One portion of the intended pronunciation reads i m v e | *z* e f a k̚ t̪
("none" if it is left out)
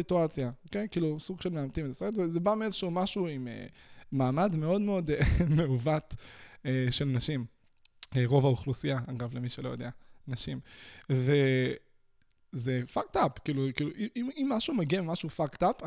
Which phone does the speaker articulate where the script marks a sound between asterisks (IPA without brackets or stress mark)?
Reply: z